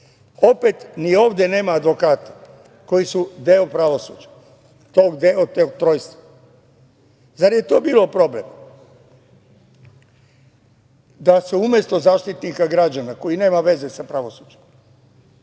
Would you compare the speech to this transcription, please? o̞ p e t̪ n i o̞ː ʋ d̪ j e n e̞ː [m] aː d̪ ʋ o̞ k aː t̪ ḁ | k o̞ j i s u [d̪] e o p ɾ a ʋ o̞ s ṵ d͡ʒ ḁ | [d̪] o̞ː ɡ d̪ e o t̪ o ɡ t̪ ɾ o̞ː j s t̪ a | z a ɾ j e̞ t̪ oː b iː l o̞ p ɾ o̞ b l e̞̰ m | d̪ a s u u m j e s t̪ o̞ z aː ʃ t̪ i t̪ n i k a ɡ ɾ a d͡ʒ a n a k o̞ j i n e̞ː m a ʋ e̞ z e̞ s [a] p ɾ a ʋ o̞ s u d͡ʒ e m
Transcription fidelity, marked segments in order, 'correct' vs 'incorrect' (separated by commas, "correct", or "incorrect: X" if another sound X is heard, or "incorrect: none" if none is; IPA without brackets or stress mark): correct, correct, incorrect: t̪, correct